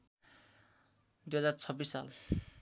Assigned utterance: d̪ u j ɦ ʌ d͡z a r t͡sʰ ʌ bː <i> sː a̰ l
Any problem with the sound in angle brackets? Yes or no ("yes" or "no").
no